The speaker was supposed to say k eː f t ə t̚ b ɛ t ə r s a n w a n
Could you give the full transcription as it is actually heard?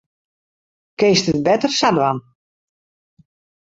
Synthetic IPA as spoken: k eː s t ə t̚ b ɛ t ə r s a d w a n